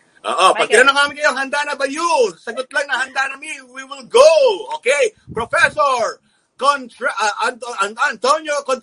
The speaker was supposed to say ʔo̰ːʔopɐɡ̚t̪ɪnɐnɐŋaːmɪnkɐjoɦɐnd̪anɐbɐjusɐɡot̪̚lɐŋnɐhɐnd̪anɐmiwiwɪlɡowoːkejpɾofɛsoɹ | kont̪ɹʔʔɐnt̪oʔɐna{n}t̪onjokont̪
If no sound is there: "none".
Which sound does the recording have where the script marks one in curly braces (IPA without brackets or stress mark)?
n